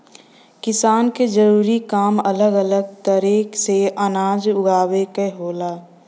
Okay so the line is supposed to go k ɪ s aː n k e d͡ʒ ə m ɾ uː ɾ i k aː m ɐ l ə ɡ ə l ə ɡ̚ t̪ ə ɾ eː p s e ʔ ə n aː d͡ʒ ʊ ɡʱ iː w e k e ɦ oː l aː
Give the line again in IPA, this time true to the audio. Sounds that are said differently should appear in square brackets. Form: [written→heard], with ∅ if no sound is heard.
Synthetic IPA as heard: k ɪ s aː n k e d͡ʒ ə [m→∅] ɾ uː ɾ i k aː m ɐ l ə ɡ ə l ə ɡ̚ t̪ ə ɾ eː [p→k] s e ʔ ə n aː d͡ʒ ʊ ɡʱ [iː→aː] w e k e ɦ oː l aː